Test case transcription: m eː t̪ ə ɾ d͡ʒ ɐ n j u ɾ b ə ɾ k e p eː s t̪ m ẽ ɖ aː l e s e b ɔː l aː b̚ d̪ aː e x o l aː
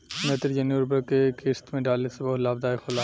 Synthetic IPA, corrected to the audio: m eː t̪ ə ɾ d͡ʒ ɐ n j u ɾ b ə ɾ k e k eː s t̪ m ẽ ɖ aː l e s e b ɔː l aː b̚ d̪ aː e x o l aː